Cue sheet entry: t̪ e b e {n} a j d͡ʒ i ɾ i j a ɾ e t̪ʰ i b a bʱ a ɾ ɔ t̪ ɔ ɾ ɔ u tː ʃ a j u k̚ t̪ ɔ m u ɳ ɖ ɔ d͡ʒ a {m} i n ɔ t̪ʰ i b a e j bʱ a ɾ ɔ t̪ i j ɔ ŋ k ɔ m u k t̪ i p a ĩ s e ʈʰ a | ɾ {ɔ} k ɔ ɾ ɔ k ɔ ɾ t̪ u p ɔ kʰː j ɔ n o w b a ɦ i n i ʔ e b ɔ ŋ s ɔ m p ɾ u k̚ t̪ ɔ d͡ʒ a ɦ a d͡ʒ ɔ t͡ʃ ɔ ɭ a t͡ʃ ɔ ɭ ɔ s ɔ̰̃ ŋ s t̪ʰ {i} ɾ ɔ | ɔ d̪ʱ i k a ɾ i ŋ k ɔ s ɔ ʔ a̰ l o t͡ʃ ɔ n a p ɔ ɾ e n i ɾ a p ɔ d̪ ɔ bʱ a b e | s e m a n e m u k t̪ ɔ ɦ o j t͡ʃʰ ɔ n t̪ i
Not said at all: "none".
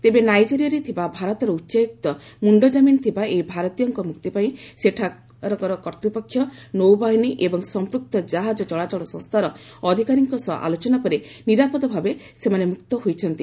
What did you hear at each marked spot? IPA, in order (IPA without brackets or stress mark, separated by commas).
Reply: n, m, ɔ, a